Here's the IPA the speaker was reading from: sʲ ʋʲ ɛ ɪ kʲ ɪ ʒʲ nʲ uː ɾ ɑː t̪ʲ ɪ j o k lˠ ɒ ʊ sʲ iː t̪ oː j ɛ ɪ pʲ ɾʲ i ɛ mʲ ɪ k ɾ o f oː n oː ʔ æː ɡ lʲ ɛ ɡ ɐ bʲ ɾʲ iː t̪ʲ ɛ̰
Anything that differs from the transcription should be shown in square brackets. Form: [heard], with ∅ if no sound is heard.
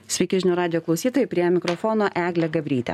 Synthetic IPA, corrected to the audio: sʲ ʋʲ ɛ ɪ kʲ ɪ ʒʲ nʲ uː ɾ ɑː [d̪ʲ] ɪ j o k lˠ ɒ ʊ sʲ iː t̪ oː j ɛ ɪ pʲ ɾʲ i ɛ mʲ ɪ k ɾ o f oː n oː ʔ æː ɡ lʲ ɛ ɡ ɐ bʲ ɾʲ iː t̪ʲ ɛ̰